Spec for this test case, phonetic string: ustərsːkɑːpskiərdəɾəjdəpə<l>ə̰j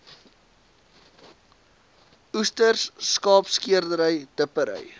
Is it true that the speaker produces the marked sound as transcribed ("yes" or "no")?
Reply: no